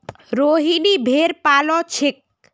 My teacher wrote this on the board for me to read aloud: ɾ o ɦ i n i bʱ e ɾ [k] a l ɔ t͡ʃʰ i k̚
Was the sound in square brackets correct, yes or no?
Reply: no